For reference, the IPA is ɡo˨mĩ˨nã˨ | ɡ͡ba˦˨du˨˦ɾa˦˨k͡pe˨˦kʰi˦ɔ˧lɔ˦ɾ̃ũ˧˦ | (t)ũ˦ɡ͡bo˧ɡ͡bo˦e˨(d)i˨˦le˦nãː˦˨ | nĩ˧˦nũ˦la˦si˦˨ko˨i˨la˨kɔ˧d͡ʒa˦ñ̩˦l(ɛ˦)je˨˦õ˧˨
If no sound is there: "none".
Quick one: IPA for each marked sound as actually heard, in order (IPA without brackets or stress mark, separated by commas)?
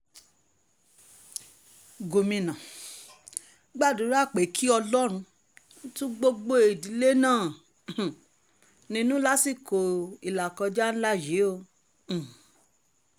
t, d, a˦